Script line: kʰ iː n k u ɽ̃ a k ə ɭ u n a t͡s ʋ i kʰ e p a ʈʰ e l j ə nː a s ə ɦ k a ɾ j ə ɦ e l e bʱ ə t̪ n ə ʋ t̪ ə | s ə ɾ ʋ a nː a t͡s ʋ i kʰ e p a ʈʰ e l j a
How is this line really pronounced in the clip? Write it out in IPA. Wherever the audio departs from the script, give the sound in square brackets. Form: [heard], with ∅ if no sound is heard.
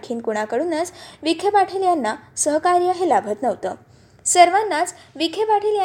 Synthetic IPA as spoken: kʰ iː n k u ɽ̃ a k ə [ɽ] u n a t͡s ʋ i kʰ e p a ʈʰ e l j [a] nː a s ə ɦ k a ɾ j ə ɦ e l [a] bʱ ə t̪ n ə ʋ t̪ ə | s ə ɾ ʋ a nː a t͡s ʋ i kʰ e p a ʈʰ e l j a